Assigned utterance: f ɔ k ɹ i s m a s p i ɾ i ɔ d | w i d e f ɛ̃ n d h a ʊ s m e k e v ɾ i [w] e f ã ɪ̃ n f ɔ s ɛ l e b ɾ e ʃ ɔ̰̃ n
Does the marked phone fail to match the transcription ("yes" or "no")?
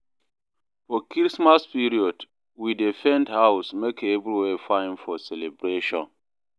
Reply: no